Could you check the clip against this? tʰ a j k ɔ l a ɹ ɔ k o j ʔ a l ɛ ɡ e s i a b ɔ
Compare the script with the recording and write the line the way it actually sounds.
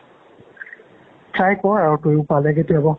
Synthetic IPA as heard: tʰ a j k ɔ ɹ a ɹ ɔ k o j p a l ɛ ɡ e t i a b ɔ

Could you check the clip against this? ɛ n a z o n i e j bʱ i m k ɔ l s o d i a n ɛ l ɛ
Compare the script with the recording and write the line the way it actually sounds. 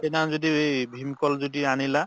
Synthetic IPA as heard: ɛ n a z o d i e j bʱ i m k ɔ l z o d i a n i l a

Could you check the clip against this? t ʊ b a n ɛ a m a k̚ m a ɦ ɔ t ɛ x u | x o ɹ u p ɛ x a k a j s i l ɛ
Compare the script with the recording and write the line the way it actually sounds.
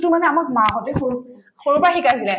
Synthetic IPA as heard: t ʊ m a n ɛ a m a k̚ m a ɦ ɔ t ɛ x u | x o ɹ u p a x i k a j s i l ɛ

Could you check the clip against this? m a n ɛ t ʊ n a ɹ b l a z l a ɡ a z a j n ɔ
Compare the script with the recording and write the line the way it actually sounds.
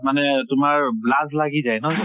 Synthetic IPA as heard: m a n ɛ t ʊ m a ɹ b l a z l a ɡ i z a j n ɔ

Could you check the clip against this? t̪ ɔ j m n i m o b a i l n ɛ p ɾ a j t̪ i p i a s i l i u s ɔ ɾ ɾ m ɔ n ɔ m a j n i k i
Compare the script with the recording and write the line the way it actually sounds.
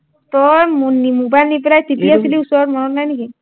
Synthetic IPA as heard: t̪ ɔ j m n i m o b a j l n i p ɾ a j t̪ i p i a s i l i u s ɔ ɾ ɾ m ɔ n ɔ n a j n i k i

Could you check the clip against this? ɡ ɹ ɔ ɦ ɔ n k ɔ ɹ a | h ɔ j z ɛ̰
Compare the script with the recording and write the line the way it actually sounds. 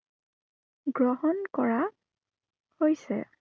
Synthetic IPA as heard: ɡ ɹ ɔ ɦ ɔ n k ɔ ɹ a | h o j s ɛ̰

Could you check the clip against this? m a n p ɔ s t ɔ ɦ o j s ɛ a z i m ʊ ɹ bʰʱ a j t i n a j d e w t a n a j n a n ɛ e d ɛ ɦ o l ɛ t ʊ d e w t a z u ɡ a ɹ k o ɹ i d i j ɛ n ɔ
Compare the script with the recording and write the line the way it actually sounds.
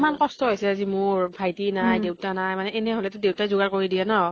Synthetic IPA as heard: m a n k ɔ s t ɔ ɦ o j s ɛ a z i m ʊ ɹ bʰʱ a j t i n a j d e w t a n a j m a n ɛ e n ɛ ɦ o l ɛ t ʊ d e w t a z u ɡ a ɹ k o ɹ i d i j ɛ n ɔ

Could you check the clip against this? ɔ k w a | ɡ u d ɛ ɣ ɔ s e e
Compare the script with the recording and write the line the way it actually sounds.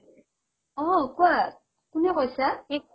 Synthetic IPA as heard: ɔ k w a | k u n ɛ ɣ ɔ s a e

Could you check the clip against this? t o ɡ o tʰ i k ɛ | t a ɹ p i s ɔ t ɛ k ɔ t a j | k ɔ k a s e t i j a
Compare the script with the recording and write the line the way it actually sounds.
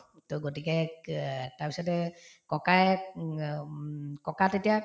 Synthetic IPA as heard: t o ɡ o t i k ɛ | t a ɹ p i s ɔ t ɛ k ɔ k a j | k ɔ k a t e t i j a

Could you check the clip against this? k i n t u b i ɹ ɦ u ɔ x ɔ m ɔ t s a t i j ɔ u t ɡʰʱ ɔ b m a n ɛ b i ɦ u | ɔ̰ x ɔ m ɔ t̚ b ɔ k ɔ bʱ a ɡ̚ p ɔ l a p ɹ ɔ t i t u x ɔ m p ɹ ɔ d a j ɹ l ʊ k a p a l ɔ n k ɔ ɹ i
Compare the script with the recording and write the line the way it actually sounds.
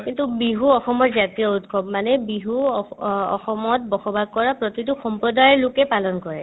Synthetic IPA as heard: k i n t u b i ɦ u ɔ x ɔ m ɔ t z a t i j ɔ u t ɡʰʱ ɔ b m a n ɛ b i ɦ u | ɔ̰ x ɔ m ɔ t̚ b ɔ x ɔ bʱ a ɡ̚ k ɔ ɹ a p ɹ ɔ t i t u x ɔ m p ɹ ɔ d a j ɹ l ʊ k ɛ p a l ɔ n k ɔ ɹ ɛ

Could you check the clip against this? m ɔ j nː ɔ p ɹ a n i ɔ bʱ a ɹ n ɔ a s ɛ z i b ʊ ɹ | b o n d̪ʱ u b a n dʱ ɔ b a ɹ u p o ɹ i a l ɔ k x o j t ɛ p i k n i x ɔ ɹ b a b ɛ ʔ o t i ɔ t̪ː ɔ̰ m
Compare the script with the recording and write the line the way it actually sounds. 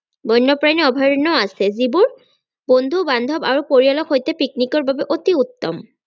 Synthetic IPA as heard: b ɔ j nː ɔ p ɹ a n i ɔ bʱ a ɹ n ɔ a s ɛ z i b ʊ ɹ | b o n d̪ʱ u b a n dʱ ɔ b a ɹ u p o ɹ i a l ɔ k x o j t ɛ p i k n i k ɔ ɹ b a b ɛ ʔ o t i u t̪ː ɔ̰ m

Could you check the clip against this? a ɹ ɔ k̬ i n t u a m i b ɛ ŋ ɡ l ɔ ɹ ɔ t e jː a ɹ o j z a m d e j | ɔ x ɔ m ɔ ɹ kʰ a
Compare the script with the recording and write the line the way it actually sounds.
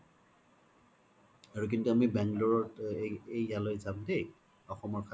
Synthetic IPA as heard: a ɹ u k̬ i n t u a m i b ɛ ŋ ɡ l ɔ ɹ ɔ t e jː a l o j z a m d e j | ɔ x ɔ m ɔ ɹ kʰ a

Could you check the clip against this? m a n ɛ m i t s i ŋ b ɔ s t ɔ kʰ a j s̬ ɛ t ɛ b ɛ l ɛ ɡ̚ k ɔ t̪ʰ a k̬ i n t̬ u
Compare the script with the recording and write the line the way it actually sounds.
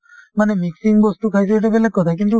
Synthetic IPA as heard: m a n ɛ m i k s i ŋ b ɔ s t u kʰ a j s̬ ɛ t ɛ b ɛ l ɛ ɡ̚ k ɔ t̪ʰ a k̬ i n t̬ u

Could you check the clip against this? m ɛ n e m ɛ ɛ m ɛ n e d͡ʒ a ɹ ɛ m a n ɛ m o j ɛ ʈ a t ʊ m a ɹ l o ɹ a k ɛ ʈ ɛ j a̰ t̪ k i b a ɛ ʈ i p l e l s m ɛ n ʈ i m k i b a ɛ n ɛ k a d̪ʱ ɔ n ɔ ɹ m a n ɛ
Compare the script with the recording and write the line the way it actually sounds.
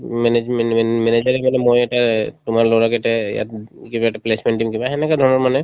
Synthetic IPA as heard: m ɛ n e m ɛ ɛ m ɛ n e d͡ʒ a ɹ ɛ m a n ɛ m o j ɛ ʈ a t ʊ m a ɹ l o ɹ a k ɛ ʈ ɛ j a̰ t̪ k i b a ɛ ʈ a p l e s m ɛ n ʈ i m k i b a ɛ n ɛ k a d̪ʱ ɔ n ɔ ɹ m a n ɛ

